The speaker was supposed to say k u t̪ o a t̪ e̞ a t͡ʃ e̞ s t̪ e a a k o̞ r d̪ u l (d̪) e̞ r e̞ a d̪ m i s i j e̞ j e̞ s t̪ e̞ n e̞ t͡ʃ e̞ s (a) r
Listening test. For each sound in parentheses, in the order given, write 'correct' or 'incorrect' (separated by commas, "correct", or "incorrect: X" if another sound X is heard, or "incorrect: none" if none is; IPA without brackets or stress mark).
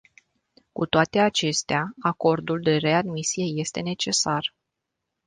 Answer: correct, correct